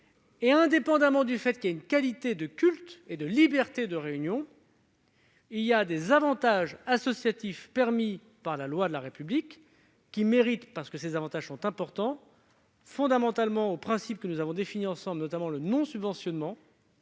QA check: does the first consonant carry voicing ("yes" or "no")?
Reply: yes